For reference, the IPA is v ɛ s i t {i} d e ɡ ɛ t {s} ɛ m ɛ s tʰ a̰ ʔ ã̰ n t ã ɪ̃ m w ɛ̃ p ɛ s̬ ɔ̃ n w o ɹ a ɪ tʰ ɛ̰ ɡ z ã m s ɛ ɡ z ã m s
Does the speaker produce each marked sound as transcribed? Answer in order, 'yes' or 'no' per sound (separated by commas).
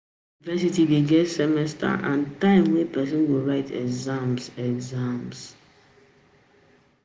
yes, yes